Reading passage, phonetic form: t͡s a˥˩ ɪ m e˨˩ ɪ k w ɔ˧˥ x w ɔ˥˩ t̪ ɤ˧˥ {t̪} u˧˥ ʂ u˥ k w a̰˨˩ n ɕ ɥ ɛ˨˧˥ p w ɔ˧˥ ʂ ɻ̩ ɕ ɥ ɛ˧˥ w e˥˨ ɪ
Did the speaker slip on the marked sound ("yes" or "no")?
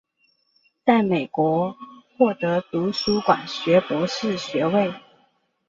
no